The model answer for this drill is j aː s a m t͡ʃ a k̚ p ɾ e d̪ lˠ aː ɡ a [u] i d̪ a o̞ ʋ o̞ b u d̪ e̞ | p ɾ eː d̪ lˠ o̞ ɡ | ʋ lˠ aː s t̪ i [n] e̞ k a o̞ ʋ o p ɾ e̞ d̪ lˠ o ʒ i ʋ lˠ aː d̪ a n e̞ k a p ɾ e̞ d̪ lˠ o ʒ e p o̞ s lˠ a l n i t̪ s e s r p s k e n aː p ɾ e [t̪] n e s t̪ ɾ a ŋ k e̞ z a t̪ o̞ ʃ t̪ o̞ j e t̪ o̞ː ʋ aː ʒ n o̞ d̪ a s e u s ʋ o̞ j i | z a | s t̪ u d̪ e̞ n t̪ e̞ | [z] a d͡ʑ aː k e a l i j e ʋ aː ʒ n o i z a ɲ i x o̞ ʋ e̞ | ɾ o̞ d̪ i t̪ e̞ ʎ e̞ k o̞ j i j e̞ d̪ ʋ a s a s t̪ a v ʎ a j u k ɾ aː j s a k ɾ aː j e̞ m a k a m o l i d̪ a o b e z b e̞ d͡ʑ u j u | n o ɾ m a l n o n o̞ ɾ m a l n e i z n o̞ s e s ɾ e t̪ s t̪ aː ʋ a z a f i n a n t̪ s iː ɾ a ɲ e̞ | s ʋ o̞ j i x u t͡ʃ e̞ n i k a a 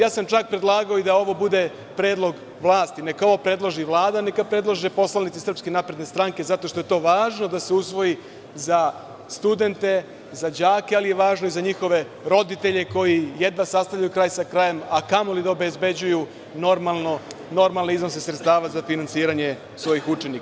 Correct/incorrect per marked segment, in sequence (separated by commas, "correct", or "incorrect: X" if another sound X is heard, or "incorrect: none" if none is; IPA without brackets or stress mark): incorrect: o, correct, incorrect: d̪, correct